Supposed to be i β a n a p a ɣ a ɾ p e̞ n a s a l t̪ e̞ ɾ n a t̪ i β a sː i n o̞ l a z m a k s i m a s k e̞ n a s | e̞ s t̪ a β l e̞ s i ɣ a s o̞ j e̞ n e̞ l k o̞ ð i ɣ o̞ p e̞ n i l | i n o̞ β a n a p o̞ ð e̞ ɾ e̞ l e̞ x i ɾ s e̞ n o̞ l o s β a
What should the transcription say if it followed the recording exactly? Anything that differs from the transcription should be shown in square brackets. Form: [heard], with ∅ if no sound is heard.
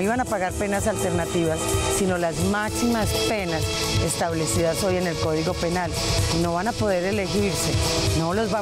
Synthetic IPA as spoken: i β a n a p a ɣ a ɾ p e̞ n a s a l t̪ e̞ ɾ n a t̪ i β a sː i n o̞ l a z m a k s i m a s [p] e̞ n a s | e̞ s t̪ a β l e̞ s i [ð] a s o̞ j e̞ n e̞ l k o̞ ð i ɣ o̞ p e̞ n [a] l | i n o̞ β a n a p o̞ ð e̞ ɾ e̞ l e̞ x i ɾ s e̞ n o̞ l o [z] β a